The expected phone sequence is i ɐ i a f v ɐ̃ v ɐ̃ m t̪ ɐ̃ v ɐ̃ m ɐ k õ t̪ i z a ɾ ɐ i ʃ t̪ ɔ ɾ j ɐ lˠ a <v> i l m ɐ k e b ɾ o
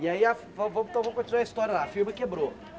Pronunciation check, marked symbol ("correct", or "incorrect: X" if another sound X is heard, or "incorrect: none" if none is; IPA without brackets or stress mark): incorrect: f